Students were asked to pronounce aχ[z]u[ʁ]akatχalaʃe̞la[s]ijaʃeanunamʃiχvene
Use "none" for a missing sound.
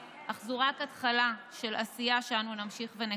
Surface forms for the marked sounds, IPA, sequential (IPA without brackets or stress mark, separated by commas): z, ʁ, s